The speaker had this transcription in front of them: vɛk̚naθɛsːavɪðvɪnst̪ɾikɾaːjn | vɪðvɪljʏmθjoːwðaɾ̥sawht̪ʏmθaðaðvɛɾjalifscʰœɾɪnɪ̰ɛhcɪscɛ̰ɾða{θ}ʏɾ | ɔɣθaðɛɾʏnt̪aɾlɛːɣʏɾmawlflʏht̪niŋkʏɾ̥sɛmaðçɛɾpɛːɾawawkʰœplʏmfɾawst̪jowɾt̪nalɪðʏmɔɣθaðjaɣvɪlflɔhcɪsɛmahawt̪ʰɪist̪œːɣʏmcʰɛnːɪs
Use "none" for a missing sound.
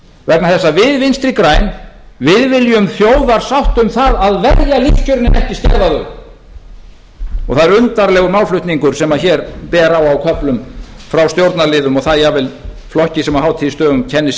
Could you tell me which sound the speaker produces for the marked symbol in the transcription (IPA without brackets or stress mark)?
ð